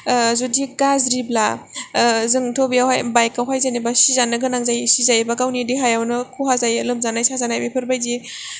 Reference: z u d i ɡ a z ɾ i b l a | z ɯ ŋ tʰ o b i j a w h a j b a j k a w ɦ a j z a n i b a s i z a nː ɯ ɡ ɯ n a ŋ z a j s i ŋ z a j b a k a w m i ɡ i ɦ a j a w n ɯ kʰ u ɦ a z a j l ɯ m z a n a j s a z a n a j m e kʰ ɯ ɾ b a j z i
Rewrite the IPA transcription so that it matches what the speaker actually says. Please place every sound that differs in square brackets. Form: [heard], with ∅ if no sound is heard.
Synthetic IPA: z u d i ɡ a z ɾ i b l a | z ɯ ŋ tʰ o b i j a w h a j b a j k a w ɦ a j z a n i b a s i z a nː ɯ ɡ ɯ n a ŋ z a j s i [∅] z a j b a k a w [n] i [d] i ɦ a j a w n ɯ kʰ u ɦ a z a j l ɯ m z a n a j s a z a n a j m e [pʰ] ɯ ɾ b a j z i